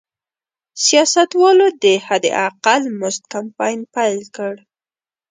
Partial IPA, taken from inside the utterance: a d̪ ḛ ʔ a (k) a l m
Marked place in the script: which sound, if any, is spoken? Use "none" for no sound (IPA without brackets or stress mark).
q